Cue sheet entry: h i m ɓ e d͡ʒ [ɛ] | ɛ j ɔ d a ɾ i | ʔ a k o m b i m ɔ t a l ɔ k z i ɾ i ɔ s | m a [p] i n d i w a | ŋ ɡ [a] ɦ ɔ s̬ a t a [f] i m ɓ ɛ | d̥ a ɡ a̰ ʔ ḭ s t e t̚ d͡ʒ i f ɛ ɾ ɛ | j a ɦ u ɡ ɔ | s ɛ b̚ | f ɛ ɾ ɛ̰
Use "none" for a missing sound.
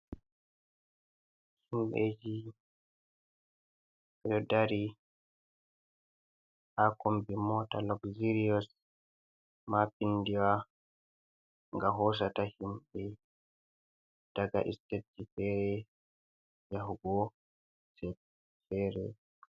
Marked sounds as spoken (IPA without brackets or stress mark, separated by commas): i, p, a, h